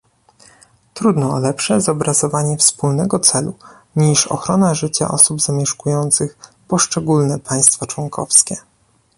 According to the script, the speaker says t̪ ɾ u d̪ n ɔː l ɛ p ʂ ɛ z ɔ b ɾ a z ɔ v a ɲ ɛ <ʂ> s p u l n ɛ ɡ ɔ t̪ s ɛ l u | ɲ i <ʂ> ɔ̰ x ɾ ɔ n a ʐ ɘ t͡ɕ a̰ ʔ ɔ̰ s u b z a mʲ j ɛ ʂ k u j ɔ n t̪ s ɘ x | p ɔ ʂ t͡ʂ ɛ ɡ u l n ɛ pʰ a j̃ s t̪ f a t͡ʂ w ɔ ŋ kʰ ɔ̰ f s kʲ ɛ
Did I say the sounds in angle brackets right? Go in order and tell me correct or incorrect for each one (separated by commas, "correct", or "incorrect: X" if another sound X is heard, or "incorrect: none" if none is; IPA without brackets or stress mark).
incorrect: f, correct